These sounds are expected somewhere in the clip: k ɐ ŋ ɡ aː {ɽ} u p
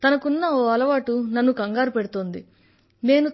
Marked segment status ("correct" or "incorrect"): incorrect